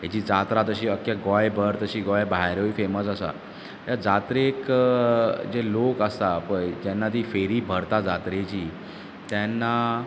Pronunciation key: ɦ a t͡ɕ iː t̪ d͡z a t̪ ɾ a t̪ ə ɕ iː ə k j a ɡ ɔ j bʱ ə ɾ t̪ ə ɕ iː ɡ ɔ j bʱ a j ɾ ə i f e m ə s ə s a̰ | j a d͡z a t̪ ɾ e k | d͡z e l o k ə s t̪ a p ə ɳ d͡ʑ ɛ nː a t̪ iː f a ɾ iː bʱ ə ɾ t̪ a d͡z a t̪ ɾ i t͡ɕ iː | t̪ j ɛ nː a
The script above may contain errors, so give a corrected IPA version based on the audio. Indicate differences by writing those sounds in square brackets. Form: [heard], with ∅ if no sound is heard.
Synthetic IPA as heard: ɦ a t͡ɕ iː [∅] d͡z a t̪ ɾ a t̪ ə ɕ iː ə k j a ɡ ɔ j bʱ ə ɾ t̪ ə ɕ iː ɡ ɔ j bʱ a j ɾ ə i f e m ə s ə s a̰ | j a d͡z a t̪ ɾ e k | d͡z e l o k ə s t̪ a p ə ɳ d͡ʑ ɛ nː a t̪ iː f [e] ɾ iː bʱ ə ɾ t̪ a d͡z a t̪ ɾ [e] t͡ɕ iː | t̪ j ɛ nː a